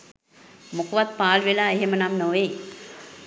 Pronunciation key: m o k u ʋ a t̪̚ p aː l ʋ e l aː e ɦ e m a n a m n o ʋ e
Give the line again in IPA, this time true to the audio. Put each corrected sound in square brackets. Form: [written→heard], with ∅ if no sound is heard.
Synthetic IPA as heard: m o k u ʋ a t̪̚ p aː l ʋ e l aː e ɦ e m [a→ə] n a m n o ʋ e